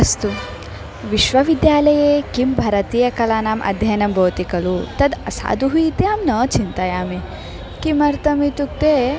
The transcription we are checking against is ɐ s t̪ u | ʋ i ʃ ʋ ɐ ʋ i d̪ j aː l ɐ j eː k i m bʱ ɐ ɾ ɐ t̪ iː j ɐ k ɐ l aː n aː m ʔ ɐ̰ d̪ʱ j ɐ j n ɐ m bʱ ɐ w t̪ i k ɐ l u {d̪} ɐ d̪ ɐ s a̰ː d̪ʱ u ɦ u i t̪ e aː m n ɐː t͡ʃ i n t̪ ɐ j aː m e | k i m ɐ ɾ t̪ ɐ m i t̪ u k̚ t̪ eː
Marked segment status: incorrect: t̪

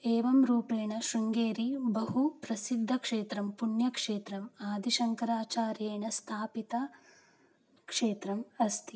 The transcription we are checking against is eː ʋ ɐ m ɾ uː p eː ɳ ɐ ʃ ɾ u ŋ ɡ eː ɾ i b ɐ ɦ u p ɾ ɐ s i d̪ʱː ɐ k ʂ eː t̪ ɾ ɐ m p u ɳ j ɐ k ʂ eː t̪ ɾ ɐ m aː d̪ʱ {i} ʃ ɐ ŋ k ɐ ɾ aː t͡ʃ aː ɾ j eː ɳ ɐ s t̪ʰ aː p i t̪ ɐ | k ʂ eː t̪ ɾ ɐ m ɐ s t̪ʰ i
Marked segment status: correct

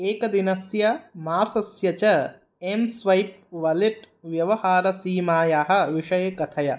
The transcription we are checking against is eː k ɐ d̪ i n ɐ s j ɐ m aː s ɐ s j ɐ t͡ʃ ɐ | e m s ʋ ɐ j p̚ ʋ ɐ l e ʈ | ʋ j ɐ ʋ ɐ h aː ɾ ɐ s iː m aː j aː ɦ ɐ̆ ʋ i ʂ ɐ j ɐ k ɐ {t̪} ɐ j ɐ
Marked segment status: incorrect: t̪ʰ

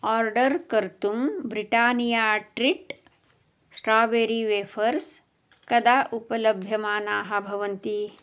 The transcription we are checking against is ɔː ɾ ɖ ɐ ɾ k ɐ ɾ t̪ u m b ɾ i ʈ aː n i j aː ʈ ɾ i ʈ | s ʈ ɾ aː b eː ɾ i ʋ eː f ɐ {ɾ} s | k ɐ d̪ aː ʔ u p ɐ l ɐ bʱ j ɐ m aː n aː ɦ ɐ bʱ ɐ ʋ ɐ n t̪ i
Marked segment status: correct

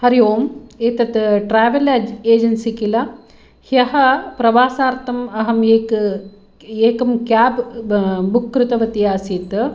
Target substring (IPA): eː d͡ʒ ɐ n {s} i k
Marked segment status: correct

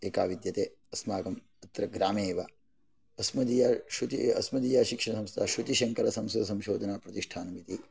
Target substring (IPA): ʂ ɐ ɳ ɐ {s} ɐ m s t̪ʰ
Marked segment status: correct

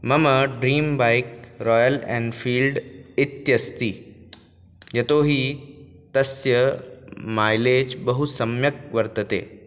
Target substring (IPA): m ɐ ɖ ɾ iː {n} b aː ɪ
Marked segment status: incorrect: m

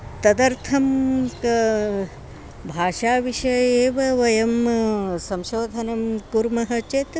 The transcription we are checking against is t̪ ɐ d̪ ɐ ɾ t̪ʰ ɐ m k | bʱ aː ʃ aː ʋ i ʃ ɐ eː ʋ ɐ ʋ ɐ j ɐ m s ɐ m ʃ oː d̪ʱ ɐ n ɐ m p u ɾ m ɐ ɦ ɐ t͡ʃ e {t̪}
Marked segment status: correct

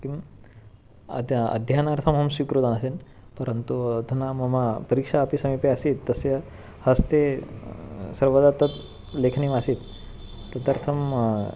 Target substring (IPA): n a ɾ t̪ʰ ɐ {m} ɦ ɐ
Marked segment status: correct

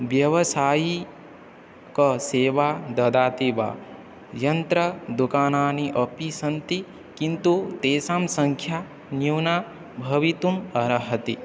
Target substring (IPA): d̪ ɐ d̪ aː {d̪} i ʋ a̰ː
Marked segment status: incorrect: t̪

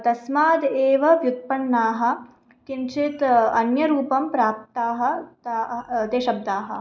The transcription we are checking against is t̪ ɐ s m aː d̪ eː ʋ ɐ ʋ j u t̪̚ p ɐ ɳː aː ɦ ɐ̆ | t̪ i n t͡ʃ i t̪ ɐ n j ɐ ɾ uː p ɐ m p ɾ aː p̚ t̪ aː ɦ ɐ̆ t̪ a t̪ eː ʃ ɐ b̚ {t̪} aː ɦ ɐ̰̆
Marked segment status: incorrect: d̪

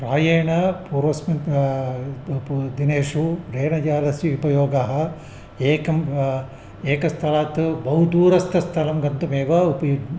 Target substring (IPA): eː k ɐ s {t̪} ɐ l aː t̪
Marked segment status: incorrect: t̪ʰ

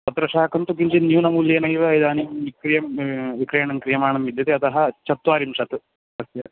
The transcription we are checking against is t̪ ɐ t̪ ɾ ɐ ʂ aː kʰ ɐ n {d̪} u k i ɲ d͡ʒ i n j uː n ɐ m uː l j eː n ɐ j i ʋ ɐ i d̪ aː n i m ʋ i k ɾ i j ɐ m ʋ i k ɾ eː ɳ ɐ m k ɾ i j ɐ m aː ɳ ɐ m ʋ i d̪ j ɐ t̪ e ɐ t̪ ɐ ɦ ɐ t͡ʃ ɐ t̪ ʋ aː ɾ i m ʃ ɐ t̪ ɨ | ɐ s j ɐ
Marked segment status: incorrect: t̪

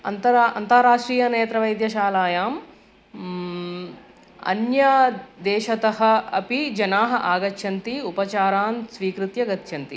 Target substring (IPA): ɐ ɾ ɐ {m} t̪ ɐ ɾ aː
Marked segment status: incorrect: n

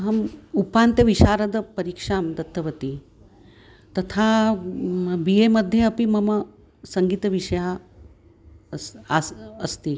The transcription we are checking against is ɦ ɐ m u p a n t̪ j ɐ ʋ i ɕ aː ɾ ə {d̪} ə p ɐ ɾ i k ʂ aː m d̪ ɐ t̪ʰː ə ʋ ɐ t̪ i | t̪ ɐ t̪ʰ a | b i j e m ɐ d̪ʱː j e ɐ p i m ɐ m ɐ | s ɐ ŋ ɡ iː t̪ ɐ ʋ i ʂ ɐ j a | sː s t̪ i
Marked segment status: correct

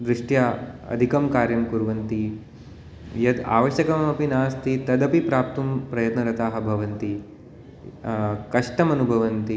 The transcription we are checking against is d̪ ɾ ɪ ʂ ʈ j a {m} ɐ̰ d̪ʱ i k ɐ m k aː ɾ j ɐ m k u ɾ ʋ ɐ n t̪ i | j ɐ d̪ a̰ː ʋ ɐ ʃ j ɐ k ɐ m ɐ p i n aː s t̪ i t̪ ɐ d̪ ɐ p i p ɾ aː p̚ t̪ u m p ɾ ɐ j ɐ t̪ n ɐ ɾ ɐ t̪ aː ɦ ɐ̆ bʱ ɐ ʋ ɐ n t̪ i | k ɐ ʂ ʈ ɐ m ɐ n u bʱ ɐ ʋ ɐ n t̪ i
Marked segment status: incorrect: none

